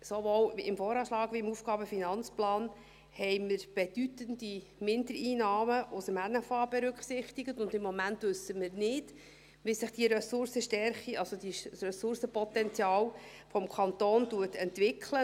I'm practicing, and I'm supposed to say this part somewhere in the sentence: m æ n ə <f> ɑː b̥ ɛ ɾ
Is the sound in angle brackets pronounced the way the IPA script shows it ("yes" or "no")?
yes